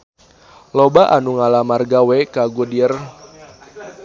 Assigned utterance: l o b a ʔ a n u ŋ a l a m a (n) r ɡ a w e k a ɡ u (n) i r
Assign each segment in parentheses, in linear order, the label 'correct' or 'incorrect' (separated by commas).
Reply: incorrect, incorrect